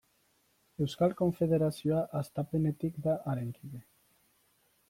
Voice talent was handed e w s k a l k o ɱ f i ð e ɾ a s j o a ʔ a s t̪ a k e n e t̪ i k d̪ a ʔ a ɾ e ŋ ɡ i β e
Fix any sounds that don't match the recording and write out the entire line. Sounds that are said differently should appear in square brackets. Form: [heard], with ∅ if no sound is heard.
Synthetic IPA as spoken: e w s k a l k o ɱ f [e] ð e ɾ a s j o a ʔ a s t̪ a [p] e n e t̪ i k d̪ a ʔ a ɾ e ŋ [k] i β e